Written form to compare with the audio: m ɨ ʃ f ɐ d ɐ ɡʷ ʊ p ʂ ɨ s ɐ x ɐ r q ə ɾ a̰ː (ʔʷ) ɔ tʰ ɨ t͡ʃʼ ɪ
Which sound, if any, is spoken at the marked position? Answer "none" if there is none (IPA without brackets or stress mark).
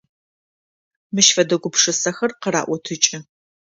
ʔʷ